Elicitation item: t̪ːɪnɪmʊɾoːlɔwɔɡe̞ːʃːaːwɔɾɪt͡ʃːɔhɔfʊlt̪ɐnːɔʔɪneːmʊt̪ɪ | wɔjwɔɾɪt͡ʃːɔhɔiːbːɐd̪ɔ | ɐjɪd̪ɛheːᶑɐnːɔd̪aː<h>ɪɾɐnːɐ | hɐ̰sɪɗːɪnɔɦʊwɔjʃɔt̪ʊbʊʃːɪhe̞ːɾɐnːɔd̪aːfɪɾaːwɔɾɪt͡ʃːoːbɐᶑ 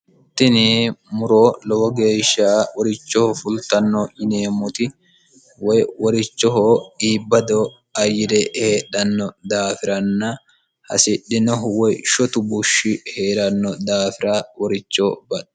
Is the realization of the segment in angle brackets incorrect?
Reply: yes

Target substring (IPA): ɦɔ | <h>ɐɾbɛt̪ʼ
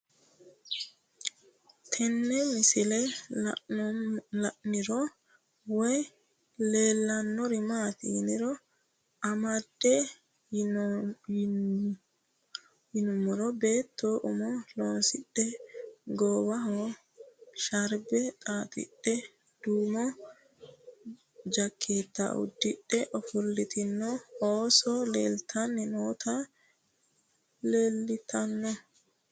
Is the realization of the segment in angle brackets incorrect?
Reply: yes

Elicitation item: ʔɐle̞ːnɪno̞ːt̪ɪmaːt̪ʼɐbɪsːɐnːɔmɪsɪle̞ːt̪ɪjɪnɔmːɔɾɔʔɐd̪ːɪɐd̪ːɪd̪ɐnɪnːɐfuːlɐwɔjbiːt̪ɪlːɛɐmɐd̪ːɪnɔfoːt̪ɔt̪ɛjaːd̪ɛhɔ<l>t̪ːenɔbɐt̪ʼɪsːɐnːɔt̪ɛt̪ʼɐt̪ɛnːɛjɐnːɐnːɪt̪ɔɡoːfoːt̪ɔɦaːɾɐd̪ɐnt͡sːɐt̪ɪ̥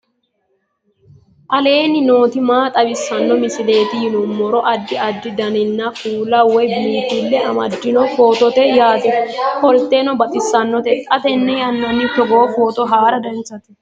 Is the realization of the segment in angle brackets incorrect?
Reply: no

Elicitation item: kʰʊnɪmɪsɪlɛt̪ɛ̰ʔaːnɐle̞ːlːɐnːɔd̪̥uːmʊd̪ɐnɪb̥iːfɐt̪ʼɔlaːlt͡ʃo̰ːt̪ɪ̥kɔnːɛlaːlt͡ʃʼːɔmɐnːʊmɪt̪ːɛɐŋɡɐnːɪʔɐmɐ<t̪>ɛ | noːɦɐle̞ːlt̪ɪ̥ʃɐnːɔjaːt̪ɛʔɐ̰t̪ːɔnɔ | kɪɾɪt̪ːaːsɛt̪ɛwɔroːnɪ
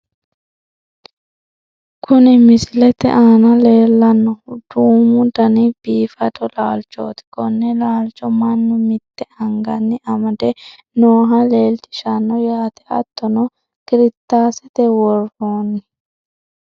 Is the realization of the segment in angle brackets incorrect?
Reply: yes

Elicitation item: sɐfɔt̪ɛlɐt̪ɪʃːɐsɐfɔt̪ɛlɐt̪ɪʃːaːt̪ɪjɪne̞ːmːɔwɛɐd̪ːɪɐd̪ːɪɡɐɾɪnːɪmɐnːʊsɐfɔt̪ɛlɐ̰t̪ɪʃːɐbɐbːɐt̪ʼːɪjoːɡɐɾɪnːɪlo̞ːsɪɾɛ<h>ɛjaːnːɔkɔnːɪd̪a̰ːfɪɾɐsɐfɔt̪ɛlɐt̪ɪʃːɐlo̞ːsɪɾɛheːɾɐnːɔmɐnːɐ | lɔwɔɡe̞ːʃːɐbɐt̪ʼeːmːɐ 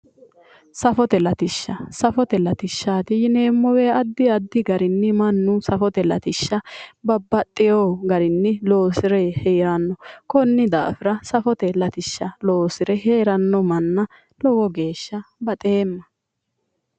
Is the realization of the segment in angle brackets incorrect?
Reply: no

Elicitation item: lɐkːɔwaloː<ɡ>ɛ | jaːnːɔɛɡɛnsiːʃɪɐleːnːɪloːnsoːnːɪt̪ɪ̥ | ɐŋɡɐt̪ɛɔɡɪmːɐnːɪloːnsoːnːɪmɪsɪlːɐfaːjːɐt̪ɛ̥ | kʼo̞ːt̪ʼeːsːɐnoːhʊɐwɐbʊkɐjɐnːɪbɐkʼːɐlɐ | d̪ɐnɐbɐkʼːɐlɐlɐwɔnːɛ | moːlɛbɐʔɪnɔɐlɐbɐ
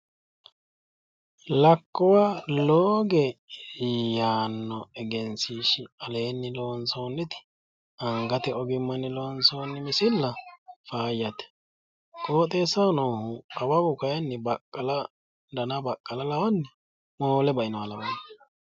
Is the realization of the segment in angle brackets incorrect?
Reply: no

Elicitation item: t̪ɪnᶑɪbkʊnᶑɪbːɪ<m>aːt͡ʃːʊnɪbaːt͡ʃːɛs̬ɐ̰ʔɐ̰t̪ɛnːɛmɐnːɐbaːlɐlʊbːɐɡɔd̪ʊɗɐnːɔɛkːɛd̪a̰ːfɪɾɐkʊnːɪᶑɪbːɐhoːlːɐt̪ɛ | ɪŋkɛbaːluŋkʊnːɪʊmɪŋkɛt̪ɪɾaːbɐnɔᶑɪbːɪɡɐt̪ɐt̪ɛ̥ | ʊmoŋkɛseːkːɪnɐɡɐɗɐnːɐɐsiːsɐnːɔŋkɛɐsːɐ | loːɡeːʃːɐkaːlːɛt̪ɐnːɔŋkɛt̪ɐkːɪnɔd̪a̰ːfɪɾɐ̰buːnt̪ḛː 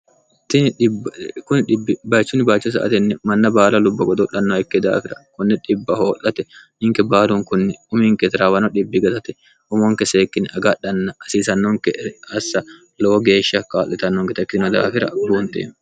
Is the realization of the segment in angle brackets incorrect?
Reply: yes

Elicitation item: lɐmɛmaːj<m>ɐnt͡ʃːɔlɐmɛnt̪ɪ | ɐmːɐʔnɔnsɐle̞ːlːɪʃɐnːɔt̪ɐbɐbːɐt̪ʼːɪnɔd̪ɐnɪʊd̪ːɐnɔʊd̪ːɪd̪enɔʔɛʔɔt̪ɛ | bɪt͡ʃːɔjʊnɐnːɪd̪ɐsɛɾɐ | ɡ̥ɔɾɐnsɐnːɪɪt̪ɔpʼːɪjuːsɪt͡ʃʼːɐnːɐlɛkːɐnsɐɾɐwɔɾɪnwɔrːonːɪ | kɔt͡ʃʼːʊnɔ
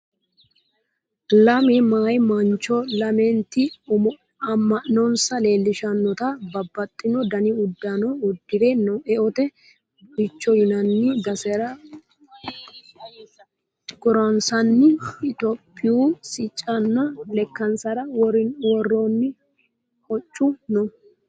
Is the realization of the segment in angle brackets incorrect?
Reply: no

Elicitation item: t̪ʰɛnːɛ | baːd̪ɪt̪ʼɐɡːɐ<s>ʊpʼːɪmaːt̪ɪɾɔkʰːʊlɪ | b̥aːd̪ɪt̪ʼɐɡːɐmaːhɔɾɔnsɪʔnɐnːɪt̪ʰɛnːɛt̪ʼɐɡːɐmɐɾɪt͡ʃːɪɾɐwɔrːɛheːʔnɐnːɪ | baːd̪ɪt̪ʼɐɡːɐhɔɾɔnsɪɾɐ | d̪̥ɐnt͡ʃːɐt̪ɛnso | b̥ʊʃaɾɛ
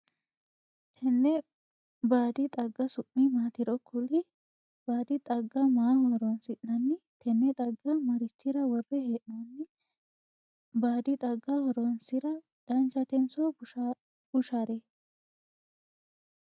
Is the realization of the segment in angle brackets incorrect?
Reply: no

